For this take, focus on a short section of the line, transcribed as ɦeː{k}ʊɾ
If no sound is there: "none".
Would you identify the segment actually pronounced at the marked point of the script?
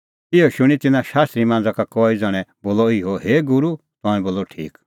ɡ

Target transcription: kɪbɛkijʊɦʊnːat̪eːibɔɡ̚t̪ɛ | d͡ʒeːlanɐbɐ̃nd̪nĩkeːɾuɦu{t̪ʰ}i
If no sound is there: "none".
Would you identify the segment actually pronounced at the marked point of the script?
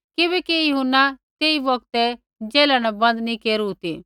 t̪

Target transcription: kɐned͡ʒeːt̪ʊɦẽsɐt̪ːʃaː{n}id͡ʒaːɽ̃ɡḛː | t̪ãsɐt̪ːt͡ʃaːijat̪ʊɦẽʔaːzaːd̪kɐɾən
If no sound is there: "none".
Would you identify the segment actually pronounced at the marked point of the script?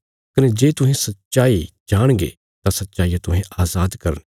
none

